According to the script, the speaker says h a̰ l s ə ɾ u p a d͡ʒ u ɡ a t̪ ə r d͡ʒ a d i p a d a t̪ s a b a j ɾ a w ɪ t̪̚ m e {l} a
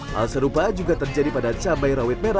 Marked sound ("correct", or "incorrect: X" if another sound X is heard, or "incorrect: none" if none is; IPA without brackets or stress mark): incorrect: ɾ